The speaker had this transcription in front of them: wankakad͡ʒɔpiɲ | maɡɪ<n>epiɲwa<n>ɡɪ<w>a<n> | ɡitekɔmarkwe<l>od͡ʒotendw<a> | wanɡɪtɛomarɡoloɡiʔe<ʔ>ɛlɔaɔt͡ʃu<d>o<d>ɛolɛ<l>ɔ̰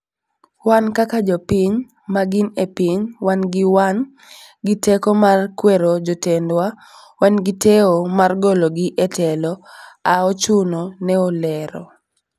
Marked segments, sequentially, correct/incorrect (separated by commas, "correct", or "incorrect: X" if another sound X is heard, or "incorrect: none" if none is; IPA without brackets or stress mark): correct, correct, correct, correct, incorrect: ɾ, correct, incorrect: t, incorrect: n, incorrect: n, incorrect: ɾ